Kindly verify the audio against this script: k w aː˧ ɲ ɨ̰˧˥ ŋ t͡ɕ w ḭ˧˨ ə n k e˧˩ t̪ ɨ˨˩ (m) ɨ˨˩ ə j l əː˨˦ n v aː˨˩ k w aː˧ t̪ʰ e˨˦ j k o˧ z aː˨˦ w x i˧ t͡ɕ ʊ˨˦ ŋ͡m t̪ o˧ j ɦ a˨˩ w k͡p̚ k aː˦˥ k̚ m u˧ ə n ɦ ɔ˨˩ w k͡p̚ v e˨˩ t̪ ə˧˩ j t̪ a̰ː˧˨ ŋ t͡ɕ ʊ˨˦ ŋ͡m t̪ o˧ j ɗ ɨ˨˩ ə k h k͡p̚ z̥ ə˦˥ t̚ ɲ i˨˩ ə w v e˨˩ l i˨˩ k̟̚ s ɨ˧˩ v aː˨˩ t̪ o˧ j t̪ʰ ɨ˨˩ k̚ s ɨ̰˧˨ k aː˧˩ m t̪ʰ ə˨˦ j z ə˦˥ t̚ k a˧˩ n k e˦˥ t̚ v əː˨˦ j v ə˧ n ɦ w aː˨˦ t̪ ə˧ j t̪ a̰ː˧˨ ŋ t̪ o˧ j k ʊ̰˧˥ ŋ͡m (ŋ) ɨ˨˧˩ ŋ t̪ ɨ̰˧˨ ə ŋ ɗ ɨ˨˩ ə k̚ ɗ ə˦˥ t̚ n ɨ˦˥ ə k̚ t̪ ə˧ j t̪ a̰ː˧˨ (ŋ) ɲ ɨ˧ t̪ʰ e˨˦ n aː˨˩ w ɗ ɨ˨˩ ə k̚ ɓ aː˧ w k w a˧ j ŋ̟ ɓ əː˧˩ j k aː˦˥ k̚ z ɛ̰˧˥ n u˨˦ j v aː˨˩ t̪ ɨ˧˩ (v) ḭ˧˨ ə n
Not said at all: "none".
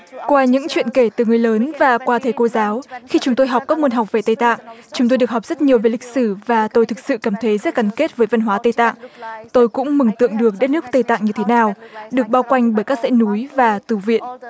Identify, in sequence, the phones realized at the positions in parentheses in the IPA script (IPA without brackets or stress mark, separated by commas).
ŋ, m, ŋ, v